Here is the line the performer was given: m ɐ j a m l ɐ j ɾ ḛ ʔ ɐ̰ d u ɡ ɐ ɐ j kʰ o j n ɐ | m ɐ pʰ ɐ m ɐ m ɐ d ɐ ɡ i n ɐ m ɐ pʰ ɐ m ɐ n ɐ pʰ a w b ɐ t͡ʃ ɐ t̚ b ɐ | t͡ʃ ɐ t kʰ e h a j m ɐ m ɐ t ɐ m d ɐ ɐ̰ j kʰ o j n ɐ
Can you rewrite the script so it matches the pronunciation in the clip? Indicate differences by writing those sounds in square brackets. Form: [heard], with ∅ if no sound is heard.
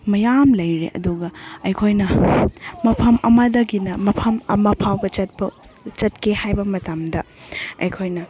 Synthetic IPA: m ɐ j a m l ɐ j ɾ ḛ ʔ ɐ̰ d u ɡ ɐ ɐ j kʰ o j n ɐ | m ɐ pʰ ɐ m ɐ m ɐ d ɐ ɡ i n ɐ m ɐ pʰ ɐ m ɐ [m] ɐ pʰ a w b ɐ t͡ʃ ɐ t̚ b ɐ | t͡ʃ ɐ t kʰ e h a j [b] ɐ m ɐ t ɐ m d ɐ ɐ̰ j kʰ o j n ɐ